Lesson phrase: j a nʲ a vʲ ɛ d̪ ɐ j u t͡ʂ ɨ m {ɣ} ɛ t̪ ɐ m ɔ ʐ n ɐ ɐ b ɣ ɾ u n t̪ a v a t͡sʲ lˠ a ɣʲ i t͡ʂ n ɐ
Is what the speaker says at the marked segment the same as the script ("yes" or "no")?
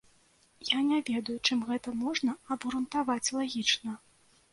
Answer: yes